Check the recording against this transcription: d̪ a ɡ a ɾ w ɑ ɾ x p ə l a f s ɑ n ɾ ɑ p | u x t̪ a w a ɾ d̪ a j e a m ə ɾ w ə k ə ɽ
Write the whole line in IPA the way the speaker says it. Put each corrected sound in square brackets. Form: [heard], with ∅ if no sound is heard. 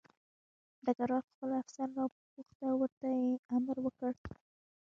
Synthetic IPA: d̪ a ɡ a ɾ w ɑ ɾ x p ə l a f s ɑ n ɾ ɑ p | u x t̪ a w [ə] ɾ [t̪] a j e a m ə ɾ w ə k ə ɽ